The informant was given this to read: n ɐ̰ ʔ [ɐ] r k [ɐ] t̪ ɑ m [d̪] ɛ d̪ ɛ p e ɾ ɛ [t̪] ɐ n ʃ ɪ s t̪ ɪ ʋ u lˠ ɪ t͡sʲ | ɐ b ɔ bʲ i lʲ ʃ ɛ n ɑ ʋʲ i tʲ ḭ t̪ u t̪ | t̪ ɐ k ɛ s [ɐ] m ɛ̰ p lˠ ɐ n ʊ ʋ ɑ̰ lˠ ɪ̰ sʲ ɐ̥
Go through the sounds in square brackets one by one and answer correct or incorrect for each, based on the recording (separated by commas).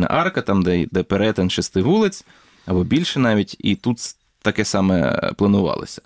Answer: incorrect, correct, correct, correct, incorrect